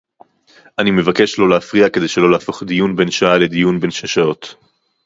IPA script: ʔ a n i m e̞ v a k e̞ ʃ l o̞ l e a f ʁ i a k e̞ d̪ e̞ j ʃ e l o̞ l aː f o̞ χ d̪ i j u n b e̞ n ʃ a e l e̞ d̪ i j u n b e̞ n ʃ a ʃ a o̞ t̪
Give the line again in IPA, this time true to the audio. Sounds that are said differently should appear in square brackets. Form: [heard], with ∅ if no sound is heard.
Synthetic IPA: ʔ a n i m e̞ v a k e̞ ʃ l o̞ l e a f ʁ i a k e̞ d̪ e̞ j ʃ e l o̞ l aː f o̞ χ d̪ i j u n b e̞ n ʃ a [a] l e̞ d̪ i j u n b e̞ n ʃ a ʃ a o̞ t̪

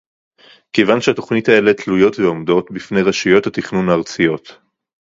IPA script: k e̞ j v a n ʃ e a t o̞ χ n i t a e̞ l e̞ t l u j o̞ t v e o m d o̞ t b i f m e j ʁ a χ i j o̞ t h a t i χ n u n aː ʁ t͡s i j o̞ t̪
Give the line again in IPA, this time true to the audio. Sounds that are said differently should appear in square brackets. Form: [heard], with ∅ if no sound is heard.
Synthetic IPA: k e̞ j v a n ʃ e a t o̞ χ n i t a e̞ l e̞ t l u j o̞ t v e o m d o̞ t b i f [n] e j ʁ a [ʃ] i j o̞ t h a t i χ n u n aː ʁ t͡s i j o̞ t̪

